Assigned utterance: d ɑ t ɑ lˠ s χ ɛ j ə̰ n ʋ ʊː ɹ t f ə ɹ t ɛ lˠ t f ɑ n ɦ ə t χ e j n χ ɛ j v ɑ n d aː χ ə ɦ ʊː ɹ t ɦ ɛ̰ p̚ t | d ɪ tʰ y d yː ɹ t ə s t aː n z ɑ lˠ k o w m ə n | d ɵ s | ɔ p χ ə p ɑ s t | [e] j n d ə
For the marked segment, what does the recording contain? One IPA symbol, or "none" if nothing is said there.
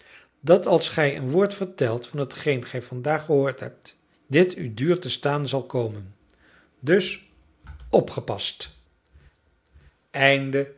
ɛ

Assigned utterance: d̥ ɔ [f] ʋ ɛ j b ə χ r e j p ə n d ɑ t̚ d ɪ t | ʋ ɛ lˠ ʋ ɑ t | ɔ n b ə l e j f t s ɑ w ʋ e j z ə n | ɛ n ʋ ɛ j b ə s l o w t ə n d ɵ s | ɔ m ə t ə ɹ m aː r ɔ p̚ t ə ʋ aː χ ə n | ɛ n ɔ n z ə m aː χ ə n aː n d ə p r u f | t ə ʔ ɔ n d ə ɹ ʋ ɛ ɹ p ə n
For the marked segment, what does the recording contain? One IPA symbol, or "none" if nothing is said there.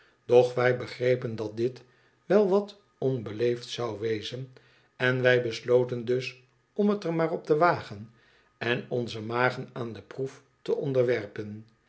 χ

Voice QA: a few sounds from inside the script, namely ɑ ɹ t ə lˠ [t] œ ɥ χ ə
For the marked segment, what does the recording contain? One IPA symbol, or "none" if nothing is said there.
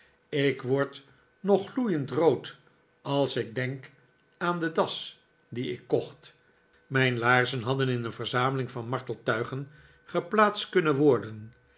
t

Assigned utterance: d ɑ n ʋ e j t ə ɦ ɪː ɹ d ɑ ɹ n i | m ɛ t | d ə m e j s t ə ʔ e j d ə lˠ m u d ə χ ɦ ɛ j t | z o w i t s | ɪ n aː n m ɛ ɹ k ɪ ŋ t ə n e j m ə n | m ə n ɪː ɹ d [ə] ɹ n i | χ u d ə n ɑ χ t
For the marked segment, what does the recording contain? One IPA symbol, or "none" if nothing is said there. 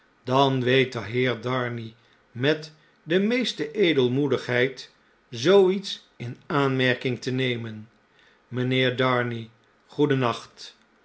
ɑ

